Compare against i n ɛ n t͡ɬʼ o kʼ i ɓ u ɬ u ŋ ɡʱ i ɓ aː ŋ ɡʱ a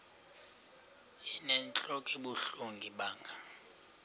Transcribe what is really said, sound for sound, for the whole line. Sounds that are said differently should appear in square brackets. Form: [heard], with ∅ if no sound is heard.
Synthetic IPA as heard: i n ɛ n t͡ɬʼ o kʼ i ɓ u ɬ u ŋ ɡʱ i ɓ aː ŋ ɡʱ a